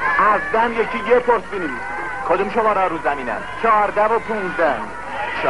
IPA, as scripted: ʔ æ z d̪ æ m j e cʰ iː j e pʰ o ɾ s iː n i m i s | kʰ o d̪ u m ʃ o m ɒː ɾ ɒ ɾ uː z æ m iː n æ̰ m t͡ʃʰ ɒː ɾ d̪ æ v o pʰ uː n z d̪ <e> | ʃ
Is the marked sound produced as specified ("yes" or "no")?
no